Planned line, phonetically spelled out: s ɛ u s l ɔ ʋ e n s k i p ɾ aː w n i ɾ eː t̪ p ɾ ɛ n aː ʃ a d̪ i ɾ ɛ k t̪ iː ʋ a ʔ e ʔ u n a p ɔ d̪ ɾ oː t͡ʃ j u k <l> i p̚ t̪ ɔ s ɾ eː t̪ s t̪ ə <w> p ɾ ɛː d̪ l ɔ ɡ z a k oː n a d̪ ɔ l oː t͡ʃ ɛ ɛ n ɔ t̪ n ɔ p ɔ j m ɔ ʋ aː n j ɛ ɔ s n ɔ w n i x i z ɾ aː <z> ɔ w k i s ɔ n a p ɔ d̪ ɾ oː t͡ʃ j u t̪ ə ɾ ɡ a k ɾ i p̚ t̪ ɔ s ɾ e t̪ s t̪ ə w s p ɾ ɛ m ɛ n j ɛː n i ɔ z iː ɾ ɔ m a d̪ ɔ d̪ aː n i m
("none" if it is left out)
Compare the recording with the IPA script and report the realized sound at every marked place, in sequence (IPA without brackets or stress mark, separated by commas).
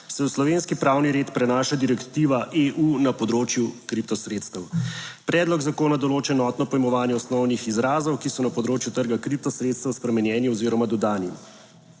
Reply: ɾ, w, z